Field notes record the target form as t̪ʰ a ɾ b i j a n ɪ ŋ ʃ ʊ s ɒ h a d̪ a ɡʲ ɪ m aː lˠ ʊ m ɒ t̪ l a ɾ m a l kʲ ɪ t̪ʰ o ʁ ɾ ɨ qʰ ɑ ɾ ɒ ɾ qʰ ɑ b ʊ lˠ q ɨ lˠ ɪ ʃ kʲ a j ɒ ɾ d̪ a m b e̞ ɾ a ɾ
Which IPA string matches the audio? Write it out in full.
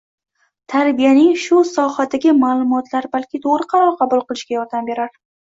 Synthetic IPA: t̪ʰ a ɾ b i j a n ɪ ŋ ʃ ʊ s ɒ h a d̪ a ɡʲ ɪ m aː lˠ ʊ m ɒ t̪ l a ɾ b a l kʲ ɪ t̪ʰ o ʁ ɾ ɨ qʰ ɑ ɾ ɒ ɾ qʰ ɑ b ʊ lˠ q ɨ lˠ ɪ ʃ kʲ a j ɒ ɾ d̪ a m b e̞ ɾ a ɾ

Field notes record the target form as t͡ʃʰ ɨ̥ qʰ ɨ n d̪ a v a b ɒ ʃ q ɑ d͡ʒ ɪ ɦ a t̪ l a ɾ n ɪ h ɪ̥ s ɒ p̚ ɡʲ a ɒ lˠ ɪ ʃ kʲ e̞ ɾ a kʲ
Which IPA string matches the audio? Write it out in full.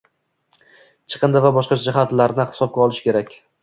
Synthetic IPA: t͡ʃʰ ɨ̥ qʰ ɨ n d̪ a v a b ɒ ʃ q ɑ d͡ʒ ɪ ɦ a t̪ l a ɾ n ɪ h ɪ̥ s ɒ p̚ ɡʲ a ɒ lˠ ɪ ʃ kʲ e̞ ɾ a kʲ

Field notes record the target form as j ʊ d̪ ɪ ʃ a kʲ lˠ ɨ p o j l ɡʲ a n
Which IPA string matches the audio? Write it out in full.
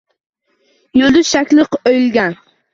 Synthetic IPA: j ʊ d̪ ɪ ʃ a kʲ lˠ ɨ q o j l ɡʲ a n

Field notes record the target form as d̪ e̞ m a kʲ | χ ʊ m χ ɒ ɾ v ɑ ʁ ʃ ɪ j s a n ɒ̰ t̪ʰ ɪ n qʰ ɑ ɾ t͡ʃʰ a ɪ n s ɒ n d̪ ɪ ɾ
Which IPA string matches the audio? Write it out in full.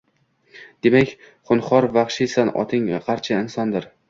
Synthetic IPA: d̪ e̞ m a kʲ | χ ʊ n χ ɒ ɾ v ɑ χ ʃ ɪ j s a n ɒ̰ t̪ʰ ɪ ŋ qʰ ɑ ɾ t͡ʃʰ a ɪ n s ɒ n d̪ ɪ ɾ

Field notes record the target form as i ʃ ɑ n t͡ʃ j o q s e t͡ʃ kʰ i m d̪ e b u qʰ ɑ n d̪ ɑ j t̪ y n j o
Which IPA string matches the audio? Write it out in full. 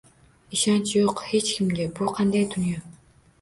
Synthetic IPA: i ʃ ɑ n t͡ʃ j o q h e t͡ʃ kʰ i m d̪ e b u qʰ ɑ n d̪ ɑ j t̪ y n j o

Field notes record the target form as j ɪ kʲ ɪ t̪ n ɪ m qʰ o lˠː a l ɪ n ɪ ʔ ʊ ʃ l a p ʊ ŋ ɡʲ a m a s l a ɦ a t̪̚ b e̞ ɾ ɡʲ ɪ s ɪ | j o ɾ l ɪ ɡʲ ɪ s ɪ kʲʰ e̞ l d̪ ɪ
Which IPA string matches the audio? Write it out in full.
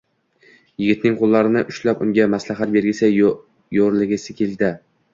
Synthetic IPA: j ɪ ɡʲ ɪ t̪ n ɪ ŋ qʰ o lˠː a ɾ ɪ n ɪ ʔ ʊ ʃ l a p ʊ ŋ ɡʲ a m a s l a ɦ a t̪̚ b e̞ ɾ ɡʲ ɪ s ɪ | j o ɾ l ɪ ɡʲ ɪ s ɪ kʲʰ e̞ l d̪ ɪ

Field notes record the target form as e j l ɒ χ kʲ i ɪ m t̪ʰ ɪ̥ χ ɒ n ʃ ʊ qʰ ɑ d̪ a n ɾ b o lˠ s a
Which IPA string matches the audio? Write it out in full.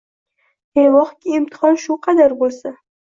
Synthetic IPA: e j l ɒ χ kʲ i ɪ m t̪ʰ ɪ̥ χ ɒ n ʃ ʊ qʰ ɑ d̪ a ɾ b o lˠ s a

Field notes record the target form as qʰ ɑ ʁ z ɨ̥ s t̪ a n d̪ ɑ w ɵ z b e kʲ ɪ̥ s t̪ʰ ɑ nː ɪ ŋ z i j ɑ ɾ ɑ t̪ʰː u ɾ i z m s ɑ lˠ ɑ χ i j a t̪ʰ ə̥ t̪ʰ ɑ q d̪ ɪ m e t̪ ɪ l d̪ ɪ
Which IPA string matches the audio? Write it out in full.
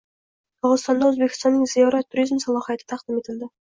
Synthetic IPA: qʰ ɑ ʁ z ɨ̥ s t̪ ɑ n d̪ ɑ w ɵ z b e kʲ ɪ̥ s t̪ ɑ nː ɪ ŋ z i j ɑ ɾ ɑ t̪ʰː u ɾ i z m s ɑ lˠ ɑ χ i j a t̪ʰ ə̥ t̪ʰ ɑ q d̪ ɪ m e t̪ ɪ l d̪ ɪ

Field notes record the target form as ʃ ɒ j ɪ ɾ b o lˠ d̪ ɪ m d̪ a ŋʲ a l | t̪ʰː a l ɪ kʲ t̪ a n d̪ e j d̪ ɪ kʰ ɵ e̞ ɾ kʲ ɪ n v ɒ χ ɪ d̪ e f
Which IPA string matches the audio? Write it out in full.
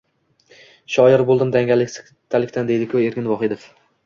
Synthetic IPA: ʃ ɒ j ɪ ɾ b o lˠ d̪ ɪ m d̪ a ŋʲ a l | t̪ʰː a l ɪ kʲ t̪ a n d̪ e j d̪ ɪ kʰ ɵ e̞ ɾ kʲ ɪ n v ɒ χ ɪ d̪ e f

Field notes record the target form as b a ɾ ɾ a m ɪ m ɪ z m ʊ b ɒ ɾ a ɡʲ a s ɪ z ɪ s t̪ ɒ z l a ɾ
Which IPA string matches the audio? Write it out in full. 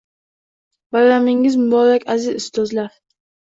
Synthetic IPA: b a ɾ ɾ a m ɪ ŋ ɪ z m ʊ b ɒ ɾ a kʲ a z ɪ z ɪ s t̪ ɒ z l a ɾ

